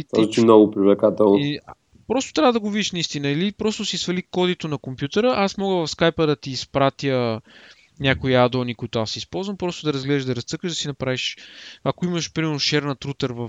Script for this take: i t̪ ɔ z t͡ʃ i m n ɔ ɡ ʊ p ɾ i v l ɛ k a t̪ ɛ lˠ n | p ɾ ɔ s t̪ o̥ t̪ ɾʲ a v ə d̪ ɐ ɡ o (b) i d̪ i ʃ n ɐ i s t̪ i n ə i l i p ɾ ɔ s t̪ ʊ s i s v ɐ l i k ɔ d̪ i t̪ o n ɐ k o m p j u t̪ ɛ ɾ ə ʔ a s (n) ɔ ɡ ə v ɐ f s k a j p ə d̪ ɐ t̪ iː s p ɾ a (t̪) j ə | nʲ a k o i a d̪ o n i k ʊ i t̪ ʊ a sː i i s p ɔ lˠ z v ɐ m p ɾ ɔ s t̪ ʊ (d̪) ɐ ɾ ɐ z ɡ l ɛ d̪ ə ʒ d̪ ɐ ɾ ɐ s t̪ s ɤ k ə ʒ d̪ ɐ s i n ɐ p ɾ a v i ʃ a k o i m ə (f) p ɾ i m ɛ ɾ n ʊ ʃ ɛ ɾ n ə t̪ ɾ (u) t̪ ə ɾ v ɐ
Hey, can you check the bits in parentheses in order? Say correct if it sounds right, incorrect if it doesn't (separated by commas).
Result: incorrect, incorrect, correct, correct, incorrect, correct